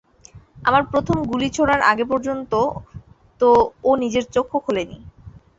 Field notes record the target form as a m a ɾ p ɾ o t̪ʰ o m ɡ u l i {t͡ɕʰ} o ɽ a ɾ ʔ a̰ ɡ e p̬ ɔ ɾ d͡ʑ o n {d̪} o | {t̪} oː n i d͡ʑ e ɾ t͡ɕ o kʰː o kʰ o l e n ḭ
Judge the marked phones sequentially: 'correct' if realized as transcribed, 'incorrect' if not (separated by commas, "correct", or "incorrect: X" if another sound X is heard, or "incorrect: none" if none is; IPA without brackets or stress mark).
correct, incorrect: t̪, correct